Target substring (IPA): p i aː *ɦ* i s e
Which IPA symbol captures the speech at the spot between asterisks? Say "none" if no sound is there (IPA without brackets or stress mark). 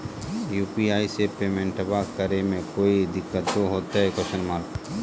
none